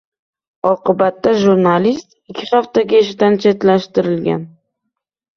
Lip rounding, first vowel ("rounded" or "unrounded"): rounded